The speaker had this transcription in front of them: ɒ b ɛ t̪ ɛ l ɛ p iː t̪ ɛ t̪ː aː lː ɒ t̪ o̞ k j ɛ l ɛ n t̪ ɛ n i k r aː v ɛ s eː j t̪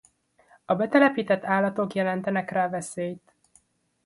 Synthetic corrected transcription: ɒ b ɛ t̪ ɛ l ɛ p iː t̪ ɛ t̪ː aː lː ɒ t̪ o̞ k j ɛ l ɛ n t̪ ɛ n ɛ k r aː v ɛ s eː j t̪